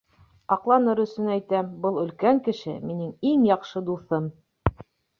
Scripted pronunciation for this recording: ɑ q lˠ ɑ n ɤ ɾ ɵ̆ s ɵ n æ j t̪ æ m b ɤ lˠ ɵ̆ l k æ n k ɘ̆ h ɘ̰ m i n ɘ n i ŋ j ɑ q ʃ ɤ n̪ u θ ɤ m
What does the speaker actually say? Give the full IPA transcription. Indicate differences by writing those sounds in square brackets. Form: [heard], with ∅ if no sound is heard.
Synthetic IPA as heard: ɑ q lˠ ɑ n ɤ ɾ ɵ̆ s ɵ n æ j t̪ æ m b ɤ lˠ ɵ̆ l k æ [ŋ] k ɘ̆ [ʃ] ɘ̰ m i n ɘ [ŋ] i ŋ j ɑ q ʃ ɤ [d̪] u θ ɤ m